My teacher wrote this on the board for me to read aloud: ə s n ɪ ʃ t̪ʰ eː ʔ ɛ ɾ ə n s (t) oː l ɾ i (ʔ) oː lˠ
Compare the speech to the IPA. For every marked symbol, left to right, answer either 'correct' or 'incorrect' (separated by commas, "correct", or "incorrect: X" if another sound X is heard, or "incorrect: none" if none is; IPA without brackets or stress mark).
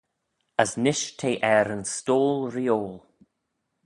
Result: correct, incorrect: none